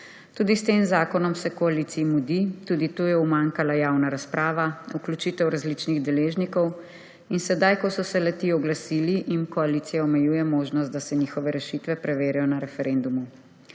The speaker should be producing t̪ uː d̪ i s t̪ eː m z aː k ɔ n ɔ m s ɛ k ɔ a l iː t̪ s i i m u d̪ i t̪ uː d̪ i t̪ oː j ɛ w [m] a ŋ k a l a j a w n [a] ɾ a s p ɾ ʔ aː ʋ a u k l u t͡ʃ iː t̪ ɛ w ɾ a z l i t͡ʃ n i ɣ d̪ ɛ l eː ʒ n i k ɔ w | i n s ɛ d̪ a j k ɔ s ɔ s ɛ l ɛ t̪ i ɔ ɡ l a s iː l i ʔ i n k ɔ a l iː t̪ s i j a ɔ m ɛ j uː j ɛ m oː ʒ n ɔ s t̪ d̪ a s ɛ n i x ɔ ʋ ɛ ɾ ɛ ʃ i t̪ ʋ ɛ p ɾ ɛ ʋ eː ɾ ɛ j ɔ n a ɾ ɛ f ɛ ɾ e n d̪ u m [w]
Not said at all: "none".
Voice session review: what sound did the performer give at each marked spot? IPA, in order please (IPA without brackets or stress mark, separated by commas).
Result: m, a, u